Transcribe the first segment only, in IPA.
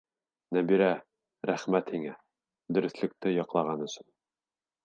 n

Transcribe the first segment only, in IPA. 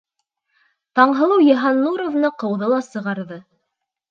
t̪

